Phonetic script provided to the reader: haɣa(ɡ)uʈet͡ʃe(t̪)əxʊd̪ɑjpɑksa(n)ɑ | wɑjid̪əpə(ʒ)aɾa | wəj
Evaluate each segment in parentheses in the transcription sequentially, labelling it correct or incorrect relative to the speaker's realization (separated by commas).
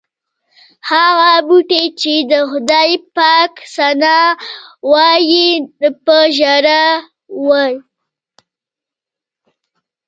incorrect, incorrect, correct, correct